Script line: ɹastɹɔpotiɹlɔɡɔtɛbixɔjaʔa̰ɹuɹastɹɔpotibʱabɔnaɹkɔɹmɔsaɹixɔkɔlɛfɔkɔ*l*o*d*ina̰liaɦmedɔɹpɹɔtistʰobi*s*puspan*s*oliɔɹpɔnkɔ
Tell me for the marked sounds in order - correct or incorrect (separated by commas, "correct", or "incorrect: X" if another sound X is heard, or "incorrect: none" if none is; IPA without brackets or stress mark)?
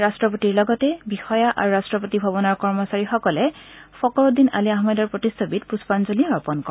incorrect: ɹ, correct, incorrect: t, incorrect: z